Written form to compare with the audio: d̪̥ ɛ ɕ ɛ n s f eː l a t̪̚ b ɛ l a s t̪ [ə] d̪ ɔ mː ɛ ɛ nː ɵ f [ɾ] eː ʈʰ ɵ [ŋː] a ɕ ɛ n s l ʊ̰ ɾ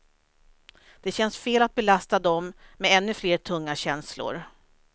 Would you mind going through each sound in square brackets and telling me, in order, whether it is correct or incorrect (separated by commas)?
incorrect, incorrect, correct